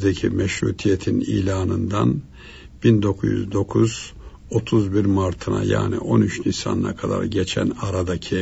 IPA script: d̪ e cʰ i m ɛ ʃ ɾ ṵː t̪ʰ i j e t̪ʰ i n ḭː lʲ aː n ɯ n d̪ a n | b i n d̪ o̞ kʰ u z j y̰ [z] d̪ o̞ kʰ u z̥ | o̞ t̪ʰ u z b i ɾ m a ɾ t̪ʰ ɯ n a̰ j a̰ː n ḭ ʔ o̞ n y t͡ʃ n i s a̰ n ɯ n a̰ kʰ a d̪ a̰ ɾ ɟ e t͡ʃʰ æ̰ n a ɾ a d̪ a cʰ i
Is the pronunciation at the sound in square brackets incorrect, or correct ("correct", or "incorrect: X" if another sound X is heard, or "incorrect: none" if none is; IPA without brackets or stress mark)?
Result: correct